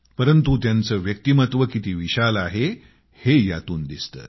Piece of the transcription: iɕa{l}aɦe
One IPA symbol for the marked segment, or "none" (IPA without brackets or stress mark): l